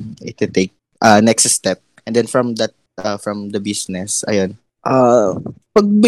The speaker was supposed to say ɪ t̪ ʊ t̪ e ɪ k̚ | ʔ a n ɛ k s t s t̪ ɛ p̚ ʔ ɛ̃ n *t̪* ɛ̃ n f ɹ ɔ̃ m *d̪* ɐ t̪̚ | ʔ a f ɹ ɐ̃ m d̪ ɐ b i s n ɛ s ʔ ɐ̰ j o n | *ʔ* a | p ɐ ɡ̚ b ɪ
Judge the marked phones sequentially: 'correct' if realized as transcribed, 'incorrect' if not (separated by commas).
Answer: incorrect, correct, correct